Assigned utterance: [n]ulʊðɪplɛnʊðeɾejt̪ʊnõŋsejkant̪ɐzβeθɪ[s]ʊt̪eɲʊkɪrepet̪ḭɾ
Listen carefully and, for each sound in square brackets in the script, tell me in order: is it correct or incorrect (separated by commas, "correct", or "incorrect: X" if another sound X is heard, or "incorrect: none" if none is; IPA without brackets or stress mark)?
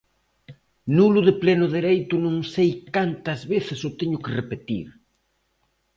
correct, correct